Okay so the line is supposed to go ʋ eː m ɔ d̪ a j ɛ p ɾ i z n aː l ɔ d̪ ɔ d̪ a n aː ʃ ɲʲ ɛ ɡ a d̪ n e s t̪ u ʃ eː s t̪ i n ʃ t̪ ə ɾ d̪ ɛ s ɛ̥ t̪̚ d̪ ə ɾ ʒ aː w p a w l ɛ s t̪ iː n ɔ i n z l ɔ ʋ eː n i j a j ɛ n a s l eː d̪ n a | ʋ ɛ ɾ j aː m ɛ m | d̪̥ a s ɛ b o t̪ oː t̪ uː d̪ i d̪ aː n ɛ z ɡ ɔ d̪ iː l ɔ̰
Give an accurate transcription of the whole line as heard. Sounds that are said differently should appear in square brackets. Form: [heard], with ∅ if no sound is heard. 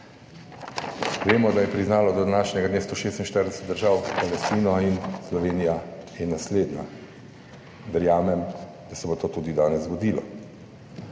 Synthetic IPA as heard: ʋ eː m ɔ d̪ a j ɛ p ɾ i z n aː l ɔ d̪ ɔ d̪ a n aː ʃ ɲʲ ɛ ɡ a d̪ n e s t̪ [o] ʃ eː s t̪ i n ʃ t̪ ə ɾ d̪ ɛ s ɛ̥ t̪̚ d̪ ə ɾ ʒ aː w p a [∅] l ɛ s t̪ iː n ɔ i n [s] l ɔ ʋ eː n i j a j ɛ n a s l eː d̪ n a | ʋ ɛ ɾ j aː m ɛ m | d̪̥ a s ɛ b o t̪ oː t̪ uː d̪ i d̪ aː n ɛ z ɡ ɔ d̪ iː l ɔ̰